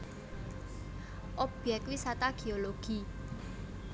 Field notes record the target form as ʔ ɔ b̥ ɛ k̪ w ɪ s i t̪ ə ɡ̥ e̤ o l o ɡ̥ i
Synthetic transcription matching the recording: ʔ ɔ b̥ ɛ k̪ w i s a t̪ a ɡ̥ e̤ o l o ɡ̥ i